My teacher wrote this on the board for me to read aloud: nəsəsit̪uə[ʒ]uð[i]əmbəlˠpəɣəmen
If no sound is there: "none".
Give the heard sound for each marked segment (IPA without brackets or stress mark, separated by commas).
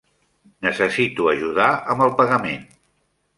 ʒ, a